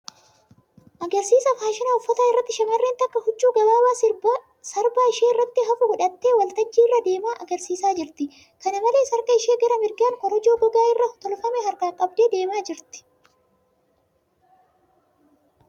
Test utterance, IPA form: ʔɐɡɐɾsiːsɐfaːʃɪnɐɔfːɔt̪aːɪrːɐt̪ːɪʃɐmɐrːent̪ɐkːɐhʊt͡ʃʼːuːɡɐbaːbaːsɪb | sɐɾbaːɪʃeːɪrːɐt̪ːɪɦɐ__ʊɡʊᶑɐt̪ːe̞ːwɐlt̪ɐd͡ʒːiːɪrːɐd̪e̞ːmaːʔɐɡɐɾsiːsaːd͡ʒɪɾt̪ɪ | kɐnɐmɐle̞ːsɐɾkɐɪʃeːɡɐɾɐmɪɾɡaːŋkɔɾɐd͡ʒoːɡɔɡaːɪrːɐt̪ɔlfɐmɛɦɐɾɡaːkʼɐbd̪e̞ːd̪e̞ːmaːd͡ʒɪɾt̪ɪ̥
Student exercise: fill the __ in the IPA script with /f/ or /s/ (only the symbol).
f